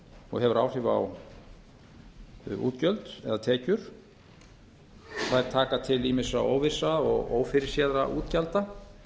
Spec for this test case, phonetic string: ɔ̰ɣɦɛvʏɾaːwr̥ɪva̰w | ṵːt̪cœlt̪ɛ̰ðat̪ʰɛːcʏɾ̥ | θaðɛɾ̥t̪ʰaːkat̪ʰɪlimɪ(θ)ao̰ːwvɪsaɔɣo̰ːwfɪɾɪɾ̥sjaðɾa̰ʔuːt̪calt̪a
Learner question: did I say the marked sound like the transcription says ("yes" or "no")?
no